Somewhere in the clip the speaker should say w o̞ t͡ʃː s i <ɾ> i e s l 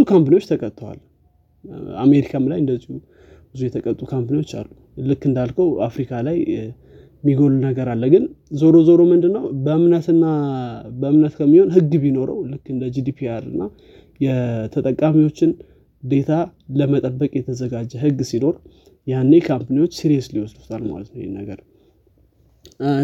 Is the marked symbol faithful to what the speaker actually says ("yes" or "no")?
yes